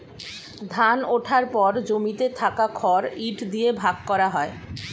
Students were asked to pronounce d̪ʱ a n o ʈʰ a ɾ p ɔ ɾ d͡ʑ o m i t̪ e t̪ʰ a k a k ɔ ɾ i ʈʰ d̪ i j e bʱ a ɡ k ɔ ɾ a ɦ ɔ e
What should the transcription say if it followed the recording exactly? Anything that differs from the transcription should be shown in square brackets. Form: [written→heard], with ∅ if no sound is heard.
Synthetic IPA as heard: d̪ʱ a n o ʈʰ a ɾ p ɔ ɾ d͡ʑ o m i t̪ e t̪ʰ a k a [k→kʰ] ɔ ɾ i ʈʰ d̪ i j e bʱ a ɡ k ɔ ɾ a ɦ ɔ e